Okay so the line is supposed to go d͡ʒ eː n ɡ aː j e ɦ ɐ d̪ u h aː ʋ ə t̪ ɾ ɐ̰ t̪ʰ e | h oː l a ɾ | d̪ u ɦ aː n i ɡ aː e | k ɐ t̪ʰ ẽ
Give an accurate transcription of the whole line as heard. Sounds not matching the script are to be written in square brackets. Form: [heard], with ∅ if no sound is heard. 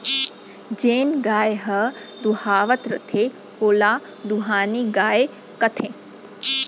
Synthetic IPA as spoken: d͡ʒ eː n ɡ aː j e ɦ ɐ d̪ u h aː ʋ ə t̪ ɾ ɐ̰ t̪ʰ e | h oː l a [∅] | d̪ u ɦ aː n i ɡ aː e | k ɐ t̪ʰ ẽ